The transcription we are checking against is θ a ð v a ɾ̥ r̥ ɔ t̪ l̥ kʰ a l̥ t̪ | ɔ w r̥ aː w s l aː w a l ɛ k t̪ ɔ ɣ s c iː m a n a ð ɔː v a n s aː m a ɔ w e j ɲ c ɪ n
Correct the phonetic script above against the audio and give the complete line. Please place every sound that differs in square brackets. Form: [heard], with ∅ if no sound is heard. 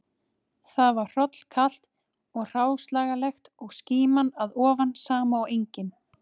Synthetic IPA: θ a ð v a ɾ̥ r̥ ɔ t̪ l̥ kʰ a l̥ t̪ | ɔ [ɣ] r̥ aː w s l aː [ɣ] a l ɛ [x] t̪ ɔ ɣ s c iː m a n a ð ɔː v a n s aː m a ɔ w e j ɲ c ɪ n